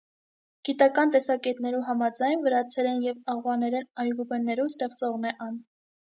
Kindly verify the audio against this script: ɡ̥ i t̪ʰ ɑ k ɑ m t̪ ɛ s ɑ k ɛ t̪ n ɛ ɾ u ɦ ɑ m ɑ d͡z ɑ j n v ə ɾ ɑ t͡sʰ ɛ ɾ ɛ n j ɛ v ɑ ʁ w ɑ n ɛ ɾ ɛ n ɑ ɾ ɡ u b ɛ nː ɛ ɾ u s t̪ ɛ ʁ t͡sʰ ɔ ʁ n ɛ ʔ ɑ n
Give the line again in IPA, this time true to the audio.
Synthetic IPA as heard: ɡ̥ i t̪ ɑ k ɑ n t̪ ɛ s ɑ k ɛ t̪ n ɛ ɾ u ɦ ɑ m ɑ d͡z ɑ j n v ə ɾ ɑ t͡sʰ ɛ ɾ ɛ n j ɛ v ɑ ʁ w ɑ n ɛ ɾ ɛ n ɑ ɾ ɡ u b ɛ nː ɛ ɾ u s t̪ ɛ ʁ t͡s ɔ ʁ n ɛ ʔ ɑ n